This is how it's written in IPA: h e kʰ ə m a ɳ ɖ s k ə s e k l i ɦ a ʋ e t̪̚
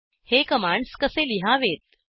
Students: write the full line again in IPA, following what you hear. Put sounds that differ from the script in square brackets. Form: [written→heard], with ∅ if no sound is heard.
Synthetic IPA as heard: h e [kʰ→k] ə m a ɳ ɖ s k ə s e [k→∅] l i ɦ a ʋ e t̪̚